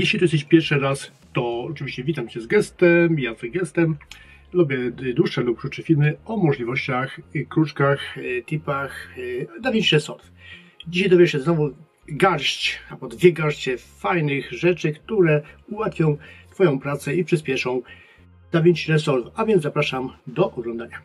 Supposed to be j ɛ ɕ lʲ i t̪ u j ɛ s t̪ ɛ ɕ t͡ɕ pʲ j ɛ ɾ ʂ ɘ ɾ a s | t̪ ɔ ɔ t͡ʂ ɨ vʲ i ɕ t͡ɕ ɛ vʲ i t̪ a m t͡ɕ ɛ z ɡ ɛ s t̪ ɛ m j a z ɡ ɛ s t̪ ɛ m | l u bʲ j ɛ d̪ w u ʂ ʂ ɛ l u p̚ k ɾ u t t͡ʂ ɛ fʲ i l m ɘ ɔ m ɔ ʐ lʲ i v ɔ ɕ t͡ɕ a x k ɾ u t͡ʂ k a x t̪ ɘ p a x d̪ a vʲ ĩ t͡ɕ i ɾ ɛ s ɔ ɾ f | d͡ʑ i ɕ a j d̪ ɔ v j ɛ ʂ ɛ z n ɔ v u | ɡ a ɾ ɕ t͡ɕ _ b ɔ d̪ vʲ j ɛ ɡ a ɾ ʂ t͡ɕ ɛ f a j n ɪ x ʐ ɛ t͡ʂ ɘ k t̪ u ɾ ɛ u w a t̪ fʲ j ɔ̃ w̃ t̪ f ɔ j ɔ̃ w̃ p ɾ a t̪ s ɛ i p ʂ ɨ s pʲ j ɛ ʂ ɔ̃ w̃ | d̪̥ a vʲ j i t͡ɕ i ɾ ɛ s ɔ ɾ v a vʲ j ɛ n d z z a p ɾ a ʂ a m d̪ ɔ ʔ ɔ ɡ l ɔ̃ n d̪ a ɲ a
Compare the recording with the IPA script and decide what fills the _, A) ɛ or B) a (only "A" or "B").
B